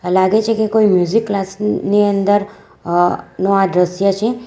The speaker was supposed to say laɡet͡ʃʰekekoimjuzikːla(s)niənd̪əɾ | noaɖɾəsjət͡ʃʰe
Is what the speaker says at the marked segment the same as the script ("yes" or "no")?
yes